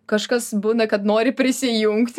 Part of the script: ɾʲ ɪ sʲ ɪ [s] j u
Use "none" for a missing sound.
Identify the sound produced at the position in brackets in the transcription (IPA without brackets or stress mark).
none